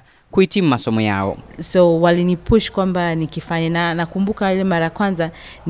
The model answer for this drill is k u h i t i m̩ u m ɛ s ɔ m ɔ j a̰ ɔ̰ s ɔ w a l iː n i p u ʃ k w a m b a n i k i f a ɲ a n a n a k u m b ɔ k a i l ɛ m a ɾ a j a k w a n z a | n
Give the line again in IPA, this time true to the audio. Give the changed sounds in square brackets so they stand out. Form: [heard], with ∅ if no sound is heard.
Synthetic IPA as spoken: k u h i t i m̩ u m [a] s ɔ m ɔ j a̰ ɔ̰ s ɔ w a l [i] n i p u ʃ k w a m b a n i k i f a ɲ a n a n a k u m b [u] k a i l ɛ m a ɾ a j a k w a n z a | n